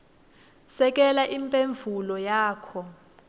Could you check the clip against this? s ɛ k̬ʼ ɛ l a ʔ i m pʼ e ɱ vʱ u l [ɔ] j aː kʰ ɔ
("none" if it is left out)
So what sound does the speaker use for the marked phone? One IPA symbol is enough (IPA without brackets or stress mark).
ɔ